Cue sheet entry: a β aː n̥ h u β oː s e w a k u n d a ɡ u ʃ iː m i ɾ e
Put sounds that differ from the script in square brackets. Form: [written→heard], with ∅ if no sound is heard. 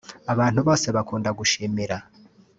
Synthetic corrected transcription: a β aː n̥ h u β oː s e [w→β] a k [u→uː] n d a ɡ u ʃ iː m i ɾ [e→a]